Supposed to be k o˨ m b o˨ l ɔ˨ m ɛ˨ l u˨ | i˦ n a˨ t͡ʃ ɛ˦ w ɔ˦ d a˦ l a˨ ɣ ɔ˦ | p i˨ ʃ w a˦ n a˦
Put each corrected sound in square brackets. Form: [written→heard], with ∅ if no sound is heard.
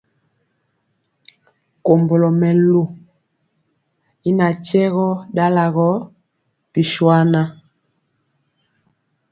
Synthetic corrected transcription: k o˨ m b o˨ l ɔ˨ m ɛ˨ l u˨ | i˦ n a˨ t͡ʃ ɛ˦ [w→ɣ] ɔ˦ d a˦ l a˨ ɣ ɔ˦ | p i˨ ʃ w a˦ n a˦